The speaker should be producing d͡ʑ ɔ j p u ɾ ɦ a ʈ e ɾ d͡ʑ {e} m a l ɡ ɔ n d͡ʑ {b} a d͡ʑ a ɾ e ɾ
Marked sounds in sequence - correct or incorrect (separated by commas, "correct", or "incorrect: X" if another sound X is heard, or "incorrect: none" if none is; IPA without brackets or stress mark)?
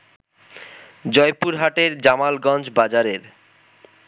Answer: incorrect: a, correct